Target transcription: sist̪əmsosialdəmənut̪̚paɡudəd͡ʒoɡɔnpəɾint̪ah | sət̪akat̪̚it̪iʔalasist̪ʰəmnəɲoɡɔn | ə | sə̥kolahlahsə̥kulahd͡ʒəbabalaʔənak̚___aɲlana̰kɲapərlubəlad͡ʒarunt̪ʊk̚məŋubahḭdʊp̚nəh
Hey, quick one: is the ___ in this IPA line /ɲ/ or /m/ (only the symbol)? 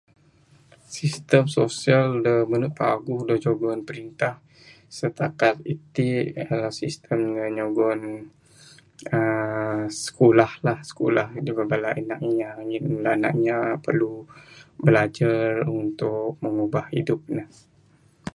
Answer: ɲ